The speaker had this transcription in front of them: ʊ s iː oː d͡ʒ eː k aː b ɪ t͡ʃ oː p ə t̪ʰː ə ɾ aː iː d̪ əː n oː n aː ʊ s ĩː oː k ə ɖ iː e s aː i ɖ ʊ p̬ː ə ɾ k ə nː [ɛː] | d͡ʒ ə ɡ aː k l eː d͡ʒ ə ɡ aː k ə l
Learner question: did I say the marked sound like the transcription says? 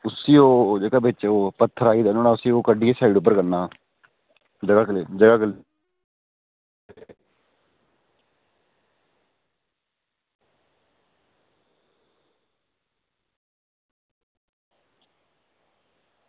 no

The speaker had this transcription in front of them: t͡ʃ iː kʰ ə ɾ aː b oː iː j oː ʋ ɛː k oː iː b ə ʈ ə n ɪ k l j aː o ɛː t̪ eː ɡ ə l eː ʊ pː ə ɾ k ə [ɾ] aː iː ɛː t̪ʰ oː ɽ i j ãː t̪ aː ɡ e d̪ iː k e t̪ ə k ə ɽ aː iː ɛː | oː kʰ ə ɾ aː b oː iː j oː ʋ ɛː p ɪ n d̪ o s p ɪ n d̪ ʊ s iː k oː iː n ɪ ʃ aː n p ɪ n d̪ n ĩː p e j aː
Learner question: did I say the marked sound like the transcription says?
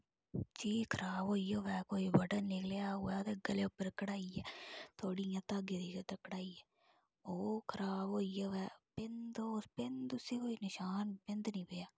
no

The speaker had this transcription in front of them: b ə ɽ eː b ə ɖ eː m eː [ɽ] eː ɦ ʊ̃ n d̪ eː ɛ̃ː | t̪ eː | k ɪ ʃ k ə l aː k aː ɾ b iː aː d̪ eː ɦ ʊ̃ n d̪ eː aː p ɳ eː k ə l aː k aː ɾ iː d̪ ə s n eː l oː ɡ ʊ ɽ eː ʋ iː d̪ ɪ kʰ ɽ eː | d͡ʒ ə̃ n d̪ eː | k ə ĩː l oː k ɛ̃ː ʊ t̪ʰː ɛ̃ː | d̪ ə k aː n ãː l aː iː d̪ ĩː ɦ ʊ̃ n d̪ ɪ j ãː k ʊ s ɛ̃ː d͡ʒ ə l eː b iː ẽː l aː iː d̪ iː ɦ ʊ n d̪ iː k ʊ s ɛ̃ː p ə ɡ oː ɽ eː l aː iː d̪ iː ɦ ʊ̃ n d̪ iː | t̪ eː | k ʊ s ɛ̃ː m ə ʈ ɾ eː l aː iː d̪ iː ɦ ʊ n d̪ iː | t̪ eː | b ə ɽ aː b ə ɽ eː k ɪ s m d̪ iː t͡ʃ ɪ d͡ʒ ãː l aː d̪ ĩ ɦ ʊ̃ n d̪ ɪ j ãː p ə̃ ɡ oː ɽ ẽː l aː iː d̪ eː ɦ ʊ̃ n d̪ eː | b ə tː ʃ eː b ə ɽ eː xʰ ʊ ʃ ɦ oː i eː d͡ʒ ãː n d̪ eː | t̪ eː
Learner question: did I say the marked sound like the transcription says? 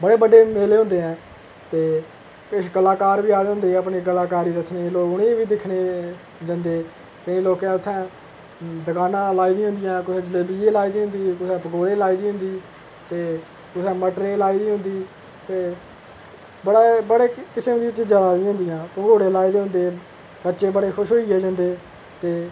no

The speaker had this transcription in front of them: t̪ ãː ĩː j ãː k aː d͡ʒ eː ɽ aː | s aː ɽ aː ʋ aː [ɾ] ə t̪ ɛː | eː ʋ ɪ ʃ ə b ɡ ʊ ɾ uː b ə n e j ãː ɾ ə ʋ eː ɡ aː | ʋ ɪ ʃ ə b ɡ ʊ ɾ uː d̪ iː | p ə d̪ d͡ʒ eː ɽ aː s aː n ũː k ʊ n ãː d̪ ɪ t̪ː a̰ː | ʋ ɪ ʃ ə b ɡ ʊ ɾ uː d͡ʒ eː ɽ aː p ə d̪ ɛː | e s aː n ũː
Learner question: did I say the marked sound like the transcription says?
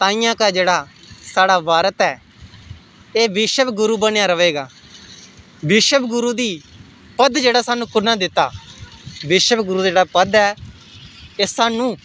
yes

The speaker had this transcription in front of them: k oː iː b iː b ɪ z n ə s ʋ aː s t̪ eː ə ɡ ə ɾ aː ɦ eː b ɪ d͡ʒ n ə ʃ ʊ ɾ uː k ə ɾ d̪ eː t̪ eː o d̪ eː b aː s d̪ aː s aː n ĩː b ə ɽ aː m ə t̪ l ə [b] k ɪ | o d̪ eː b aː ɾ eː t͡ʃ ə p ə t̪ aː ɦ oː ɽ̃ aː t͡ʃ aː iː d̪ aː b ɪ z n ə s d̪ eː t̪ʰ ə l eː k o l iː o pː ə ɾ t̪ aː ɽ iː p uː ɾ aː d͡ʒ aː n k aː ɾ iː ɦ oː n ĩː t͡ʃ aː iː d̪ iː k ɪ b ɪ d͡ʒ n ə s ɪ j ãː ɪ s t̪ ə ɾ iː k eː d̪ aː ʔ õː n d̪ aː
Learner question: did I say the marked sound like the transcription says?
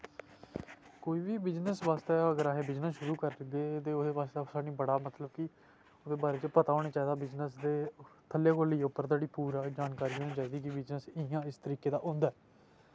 yes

